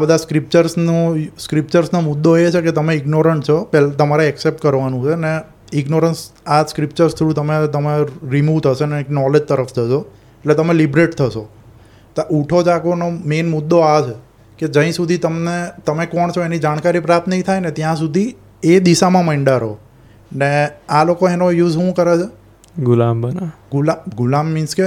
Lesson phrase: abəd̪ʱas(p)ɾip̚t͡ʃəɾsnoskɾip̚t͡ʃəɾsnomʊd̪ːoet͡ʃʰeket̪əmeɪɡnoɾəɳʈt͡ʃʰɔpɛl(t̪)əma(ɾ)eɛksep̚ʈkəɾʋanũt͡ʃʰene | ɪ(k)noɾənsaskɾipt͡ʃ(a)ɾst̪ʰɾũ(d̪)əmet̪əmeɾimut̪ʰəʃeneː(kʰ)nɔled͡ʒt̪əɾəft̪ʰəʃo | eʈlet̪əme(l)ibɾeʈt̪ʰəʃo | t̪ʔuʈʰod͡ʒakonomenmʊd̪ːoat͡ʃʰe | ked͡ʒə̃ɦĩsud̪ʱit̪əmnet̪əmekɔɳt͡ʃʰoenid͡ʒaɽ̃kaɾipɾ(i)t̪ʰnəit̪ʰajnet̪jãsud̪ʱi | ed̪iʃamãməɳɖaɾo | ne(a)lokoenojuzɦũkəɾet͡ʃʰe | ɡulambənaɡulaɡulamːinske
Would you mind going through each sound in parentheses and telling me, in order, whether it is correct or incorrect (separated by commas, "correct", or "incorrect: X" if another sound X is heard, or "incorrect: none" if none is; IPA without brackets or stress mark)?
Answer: incorrect: k, correct, correct, incorrect: ɡ, incorrect: ə, incorrect: t̪, incorrect: k, correct, incorrect: a, correct